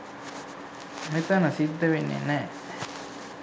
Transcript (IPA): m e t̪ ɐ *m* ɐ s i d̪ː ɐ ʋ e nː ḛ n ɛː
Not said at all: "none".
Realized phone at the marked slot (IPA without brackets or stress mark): n